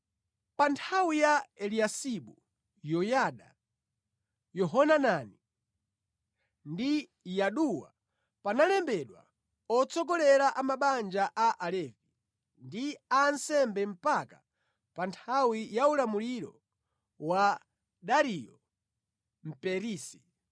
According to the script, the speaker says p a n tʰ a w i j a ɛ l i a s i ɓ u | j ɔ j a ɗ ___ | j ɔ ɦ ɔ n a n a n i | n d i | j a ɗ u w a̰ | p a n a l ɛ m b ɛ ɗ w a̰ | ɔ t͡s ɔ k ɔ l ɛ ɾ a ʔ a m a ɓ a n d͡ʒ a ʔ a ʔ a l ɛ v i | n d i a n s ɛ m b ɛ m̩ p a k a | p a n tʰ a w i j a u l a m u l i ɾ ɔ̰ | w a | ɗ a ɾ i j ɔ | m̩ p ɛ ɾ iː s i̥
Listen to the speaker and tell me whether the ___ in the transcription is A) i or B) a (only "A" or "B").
B